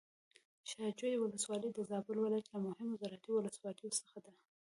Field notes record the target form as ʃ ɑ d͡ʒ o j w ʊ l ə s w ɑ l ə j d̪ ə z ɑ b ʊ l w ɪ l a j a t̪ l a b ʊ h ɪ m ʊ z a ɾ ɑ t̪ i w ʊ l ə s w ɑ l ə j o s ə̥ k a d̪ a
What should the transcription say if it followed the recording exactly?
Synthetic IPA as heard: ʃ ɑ d͡ʒ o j w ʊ l ə s w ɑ l ə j d̪ ə z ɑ b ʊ l w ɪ l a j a t̪ l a m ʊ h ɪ m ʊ z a ɾ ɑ t̪ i w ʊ l ə s w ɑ l ə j o s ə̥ x a d̪ a